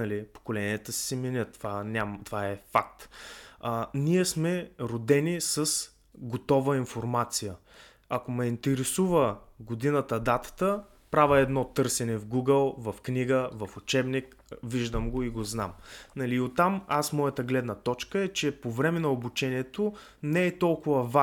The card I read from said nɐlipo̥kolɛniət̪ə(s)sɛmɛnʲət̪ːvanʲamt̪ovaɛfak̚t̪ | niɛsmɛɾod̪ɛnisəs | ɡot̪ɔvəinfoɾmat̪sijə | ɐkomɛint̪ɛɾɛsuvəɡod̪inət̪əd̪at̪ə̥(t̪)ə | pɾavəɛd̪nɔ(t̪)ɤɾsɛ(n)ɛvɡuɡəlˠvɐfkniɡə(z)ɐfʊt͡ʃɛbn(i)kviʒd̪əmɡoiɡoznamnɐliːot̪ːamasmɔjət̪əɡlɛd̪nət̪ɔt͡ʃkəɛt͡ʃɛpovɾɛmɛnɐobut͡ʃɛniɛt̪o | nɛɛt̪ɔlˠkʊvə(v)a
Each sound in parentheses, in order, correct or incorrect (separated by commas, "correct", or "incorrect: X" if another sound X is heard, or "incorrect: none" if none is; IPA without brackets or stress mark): correct, correct, correct, correct, incorrect: v, correct, correct